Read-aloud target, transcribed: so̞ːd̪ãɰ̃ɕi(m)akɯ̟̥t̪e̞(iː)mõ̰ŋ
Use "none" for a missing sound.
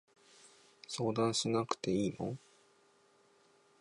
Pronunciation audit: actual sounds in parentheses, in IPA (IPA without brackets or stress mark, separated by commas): n, iː